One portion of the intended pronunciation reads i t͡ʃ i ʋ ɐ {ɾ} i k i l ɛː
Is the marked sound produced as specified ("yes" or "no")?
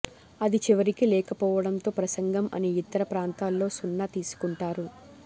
yes